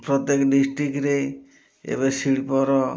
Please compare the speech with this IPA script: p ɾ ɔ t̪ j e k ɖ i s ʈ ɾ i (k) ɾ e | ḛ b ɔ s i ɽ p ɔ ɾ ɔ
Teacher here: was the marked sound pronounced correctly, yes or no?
yes